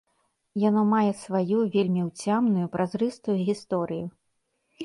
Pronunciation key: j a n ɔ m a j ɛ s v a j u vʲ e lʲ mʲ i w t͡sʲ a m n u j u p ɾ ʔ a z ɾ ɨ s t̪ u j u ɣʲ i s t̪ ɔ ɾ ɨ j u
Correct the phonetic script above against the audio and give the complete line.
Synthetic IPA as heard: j a n ɔ m a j ɛ s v a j u vʲ e lʲ mʲ i w t͡sʲ a m n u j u p ɾ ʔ a z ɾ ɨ s t̪ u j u ɣʲ i s t̪ ɔ ɾ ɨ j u